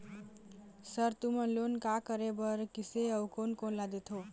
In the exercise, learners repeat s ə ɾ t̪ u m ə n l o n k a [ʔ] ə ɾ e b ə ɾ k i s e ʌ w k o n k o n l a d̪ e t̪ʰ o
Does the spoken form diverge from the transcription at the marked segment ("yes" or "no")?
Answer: yes